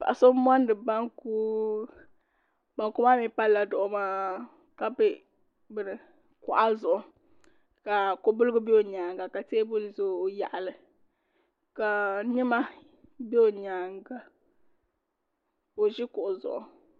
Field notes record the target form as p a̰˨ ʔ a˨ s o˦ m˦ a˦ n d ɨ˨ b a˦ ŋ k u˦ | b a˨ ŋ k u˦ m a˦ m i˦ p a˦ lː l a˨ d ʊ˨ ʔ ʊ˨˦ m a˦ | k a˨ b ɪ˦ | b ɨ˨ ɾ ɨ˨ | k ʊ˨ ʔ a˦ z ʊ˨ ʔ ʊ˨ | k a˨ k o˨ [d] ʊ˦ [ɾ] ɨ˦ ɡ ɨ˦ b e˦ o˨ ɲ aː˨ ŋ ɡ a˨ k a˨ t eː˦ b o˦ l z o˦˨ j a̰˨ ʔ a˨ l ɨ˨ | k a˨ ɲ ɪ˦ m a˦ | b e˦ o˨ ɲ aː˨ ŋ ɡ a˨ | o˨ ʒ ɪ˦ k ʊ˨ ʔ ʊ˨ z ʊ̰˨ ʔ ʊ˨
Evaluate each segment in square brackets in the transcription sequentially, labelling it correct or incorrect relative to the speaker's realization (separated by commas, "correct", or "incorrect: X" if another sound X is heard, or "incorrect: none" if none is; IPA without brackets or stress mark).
incorrect: b, incorrect: l